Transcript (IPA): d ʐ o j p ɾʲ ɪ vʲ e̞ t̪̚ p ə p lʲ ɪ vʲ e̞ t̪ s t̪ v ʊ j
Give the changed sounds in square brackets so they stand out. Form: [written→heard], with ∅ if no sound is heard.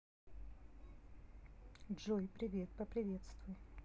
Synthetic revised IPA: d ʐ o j p ɾʲ ɪ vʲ e̞ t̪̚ p ə p [lʲ→ɾʲ] ɪ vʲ e̞ t̪ s t̪ v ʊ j